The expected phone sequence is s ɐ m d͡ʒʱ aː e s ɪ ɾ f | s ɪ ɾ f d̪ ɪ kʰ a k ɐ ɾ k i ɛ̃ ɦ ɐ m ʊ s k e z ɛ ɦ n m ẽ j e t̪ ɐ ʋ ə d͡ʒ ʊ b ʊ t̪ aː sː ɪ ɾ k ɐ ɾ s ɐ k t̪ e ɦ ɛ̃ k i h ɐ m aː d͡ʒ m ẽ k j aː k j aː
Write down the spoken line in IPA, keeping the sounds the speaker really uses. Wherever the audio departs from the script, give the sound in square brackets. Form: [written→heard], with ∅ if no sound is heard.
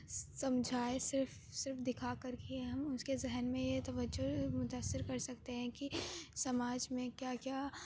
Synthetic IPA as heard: s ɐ m d͡ʒʱ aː e s ɪ ɾ f | s ɪ ɾ f d̪ ɪ kʰ a k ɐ ɾ k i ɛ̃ ɦ ɐ m ʊ s k e z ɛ ɦ n m ẽ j e t̪ ɐ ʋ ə d͡ʒ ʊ [b→m] ʊ t̪ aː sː ɪ ɾ k ɐ ɾ s ɐ k t̪ e ɦ ɛ̃ k i [h→s] ɐ m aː d͡ʒ m ẽ k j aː k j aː